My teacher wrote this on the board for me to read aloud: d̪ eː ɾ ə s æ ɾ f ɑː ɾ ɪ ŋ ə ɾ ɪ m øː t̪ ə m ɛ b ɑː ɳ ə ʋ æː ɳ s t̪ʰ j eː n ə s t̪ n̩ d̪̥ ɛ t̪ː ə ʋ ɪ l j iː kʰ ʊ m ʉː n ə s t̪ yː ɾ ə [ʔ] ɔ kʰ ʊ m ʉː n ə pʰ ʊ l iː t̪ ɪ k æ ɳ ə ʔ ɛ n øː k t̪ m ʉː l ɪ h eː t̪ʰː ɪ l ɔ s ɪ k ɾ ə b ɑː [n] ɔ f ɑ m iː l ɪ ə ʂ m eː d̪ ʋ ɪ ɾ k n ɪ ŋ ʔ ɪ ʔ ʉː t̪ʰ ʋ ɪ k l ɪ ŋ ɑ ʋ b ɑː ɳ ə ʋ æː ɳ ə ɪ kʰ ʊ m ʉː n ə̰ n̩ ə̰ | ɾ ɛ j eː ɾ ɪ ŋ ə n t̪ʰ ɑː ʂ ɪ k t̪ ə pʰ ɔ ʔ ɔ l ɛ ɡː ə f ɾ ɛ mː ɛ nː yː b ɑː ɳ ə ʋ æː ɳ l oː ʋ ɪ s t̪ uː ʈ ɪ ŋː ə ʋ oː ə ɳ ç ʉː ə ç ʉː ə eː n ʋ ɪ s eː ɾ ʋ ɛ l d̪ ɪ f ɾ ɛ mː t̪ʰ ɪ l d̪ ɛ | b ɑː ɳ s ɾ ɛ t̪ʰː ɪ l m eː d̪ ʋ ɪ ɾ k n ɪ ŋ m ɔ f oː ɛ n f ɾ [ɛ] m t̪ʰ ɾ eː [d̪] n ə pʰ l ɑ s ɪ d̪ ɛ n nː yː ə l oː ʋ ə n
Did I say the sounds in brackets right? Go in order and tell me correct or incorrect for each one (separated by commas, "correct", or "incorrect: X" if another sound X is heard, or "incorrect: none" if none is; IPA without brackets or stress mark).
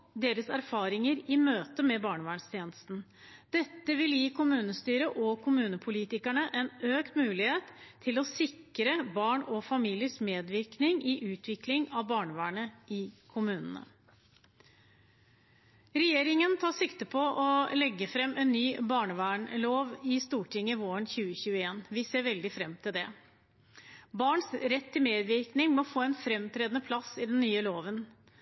correct, incorrect: ɳ, correct, correct